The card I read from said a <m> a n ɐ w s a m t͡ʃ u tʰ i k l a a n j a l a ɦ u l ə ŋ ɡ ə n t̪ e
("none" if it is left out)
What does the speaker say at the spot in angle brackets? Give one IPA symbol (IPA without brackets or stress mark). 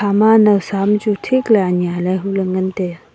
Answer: m